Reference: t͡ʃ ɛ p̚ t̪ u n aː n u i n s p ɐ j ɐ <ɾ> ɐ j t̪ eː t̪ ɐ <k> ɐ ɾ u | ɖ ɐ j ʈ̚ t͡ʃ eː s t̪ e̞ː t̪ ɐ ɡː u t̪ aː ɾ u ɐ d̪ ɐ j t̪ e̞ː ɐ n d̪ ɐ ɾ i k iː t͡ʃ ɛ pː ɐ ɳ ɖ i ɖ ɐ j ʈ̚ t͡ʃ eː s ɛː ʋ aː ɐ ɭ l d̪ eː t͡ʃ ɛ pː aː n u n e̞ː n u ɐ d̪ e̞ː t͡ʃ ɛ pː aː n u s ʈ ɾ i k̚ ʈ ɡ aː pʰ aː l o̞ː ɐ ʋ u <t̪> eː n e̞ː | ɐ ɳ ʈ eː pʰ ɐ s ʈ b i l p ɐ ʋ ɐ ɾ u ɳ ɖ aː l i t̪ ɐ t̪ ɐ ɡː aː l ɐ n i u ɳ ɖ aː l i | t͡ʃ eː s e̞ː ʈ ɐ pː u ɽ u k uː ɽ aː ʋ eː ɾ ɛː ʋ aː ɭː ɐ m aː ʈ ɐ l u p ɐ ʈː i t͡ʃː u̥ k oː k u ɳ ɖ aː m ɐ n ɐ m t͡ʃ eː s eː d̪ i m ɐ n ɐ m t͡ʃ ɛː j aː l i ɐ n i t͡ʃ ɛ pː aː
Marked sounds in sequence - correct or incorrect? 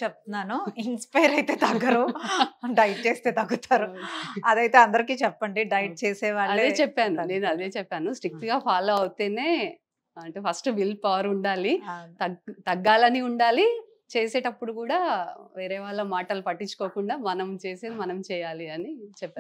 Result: correct, incorrect: ɡ, correct

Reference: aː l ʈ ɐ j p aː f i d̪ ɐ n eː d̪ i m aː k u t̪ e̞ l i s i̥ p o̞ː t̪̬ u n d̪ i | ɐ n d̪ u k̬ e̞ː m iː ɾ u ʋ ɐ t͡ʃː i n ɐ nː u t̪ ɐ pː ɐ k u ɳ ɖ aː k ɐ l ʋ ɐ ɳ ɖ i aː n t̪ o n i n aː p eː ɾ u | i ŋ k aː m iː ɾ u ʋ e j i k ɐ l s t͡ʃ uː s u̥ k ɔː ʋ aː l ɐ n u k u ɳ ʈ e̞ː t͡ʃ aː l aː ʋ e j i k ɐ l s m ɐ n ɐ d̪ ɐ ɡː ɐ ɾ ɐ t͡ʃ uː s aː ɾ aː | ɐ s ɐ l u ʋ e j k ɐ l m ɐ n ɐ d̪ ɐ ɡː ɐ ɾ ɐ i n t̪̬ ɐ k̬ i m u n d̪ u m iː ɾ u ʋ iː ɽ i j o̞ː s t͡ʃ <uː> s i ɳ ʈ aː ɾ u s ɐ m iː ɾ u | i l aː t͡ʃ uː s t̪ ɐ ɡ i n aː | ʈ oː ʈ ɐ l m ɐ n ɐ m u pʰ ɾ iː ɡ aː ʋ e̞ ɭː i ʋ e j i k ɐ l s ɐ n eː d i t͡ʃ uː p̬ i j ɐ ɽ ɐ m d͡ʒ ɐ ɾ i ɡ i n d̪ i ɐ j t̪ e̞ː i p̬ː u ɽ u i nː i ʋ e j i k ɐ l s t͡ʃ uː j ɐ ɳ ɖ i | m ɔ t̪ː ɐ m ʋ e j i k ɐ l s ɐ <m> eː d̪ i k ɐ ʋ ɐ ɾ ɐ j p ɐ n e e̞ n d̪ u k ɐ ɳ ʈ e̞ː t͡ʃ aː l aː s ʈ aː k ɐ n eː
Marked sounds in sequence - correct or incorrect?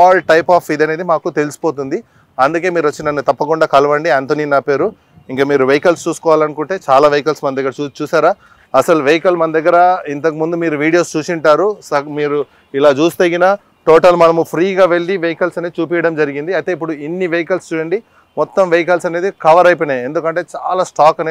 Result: correct, incorrect: n

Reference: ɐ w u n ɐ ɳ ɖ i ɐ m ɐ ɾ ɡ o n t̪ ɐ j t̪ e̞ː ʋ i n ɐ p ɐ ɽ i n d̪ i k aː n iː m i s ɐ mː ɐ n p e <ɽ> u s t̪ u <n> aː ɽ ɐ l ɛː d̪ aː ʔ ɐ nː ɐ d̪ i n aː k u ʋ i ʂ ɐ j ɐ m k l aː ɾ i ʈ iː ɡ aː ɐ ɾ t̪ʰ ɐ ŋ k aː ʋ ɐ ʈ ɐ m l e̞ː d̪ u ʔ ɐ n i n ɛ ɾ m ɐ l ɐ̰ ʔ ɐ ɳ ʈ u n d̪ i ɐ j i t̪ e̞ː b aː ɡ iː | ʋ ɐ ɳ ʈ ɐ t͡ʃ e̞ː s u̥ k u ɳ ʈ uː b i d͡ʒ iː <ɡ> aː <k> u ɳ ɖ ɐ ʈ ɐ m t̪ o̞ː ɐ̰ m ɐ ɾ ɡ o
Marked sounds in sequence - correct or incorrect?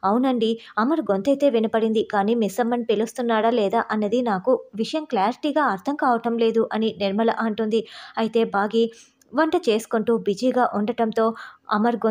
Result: incorrect: l, incorrect: nː, correct, incorrect: ʔ

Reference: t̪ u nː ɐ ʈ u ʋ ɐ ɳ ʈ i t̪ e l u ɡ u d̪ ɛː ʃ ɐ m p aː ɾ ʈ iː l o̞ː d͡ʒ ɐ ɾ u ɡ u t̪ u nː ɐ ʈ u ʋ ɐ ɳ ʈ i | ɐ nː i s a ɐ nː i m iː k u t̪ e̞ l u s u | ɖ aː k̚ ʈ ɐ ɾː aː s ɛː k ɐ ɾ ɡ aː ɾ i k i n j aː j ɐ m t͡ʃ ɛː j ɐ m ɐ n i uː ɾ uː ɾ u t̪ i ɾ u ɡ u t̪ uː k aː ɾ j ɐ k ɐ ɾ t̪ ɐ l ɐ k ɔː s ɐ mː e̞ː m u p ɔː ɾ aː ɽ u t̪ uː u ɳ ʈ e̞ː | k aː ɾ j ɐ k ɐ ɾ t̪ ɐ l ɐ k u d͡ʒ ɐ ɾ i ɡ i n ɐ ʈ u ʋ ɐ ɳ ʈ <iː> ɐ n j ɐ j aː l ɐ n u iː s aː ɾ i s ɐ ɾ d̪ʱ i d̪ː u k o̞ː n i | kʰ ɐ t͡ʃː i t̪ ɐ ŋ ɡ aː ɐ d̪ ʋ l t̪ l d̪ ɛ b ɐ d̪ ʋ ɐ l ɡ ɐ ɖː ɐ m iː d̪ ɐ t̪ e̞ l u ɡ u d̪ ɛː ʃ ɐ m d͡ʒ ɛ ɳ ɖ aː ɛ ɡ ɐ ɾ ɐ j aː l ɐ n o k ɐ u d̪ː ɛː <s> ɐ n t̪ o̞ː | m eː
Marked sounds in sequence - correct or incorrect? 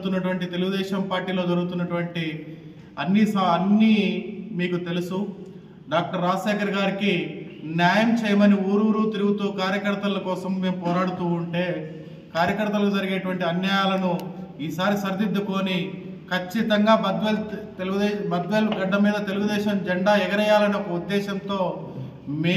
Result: incorrect: i, incorrect: ʃ

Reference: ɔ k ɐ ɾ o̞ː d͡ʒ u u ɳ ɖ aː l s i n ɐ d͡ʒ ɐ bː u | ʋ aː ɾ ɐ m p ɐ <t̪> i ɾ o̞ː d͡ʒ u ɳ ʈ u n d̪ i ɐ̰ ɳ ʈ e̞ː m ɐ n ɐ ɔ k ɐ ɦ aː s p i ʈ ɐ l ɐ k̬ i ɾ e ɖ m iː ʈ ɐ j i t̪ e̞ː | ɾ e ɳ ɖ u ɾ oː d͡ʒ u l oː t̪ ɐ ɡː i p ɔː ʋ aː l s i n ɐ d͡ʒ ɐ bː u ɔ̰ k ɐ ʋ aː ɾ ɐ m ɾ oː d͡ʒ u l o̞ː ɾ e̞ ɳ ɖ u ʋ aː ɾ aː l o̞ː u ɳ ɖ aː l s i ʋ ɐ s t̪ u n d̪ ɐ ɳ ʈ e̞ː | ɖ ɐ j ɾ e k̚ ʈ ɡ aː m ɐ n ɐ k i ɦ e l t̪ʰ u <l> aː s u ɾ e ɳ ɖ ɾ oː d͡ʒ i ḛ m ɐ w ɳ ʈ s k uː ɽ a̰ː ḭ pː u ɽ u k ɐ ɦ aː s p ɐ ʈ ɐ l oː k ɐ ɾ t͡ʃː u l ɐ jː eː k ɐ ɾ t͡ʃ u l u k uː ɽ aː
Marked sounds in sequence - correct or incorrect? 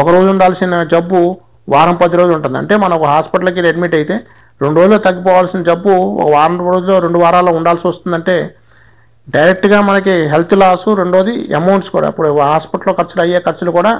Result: incorrect: d̪, correct

